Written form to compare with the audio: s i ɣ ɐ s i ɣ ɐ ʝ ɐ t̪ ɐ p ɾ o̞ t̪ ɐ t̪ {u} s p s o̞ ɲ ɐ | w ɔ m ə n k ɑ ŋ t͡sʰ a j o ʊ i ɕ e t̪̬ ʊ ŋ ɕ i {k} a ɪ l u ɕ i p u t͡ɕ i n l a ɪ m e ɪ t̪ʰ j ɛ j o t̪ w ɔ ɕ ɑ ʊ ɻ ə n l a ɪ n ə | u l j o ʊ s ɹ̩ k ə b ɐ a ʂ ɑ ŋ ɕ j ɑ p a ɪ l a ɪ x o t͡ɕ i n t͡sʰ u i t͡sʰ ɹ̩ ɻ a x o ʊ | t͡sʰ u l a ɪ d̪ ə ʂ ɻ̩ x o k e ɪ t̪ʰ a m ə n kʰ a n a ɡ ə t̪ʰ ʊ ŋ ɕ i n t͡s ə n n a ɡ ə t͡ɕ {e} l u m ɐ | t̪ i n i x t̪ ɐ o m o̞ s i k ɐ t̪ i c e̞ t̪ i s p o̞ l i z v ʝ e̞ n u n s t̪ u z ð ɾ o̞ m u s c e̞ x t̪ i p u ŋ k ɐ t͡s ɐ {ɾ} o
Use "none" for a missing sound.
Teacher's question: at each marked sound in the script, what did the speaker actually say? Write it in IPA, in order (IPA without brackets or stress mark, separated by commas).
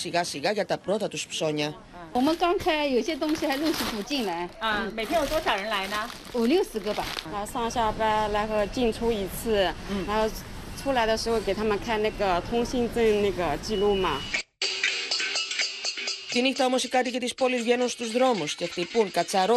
u, x, i, ɾ